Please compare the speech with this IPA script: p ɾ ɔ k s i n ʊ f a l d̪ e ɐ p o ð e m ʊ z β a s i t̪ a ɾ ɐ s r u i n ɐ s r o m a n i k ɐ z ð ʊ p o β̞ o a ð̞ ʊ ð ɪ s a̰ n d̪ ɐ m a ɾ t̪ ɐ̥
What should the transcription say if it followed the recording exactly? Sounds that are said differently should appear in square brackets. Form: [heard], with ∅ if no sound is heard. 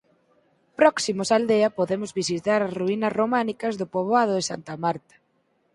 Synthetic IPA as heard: p ɾ ɔ k s i [m] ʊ [s] a l d̪ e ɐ p o ð e m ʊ z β [i] s i t̪ a ɾ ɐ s r u i n ɐ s r o m a n i k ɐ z ð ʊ p o β̞ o a ð̞ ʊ ð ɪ s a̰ n [t̪] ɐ m a ɾ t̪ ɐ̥